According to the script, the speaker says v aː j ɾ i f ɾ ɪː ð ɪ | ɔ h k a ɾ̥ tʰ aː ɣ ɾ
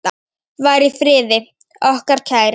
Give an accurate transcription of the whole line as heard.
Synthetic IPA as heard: v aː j ɾ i f ɾ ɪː ð ɪ | ɔ h k a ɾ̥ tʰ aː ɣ ɾ